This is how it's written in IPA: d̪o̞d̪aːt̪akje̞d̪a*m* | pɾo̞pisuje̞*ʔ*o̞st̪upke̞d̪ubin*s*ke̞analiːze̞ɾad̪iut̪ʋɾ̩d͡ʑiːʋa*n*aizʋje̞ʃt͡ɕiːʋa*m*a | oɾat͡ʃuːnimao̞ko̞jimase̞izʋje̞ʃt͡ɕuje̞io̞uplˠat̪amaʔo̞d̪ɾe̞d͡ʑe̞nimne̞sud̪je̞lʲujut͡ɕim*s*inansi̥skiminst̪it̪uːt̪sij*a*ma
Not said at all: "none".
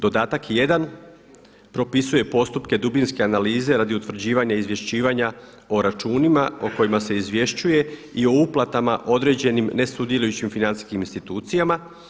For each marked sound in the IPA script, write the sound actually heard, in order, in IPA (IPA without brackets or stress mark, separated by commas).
n, p, s, ɲ, ɲ, f, a